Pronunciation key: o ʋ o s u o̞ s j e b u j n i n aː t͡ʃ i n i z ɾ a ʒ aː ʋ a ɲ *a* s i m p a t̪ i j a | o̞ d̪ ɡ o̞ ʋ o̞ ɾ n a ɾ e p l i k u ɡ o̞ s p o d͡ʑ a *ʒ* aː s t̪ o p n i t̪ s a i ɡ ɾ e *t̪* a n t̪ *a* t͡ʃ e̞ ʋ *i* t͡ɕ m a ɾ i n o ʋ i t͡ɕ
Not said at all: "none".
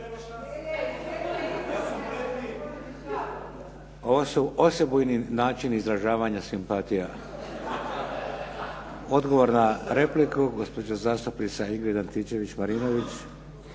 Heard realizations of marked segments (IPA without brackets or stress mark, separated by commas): a, z, d̪, i, i